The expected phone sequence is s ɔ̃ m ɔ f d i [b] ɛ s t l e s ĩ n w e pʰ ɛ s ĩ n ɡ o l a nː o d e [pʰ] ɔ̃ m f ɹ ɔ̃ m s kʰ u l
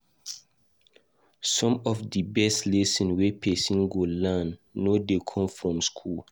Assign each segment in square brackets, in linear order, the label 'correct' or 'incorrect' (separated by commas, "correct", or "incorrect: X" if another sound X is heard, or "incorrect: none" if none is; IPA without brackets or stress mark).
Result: correct, incorrect: kʰ